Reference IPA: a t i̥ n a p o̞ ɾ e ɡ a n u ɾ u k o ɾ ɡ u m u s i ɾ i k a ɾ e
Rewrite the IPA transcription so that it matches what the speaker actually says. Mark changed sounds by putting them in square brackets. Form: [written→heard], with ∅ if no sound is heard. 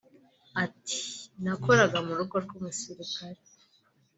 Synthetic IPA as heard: a t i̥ n a [p→k] o̞ ɾ [e→a] ɡ a [n→m] u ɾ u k o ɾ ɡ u m u s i ɾ i k a ɾ e